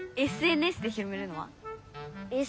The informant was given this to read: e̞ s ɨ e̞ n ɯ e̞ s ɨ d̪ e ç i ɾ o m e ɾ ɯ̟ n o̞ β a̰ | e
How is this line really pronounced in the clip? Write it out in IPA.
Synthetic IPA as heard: e̞ s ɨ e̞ n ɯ e̞ s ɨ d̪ e ç i ɾ o m e ɾ ɯ̟ n o̞ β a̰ | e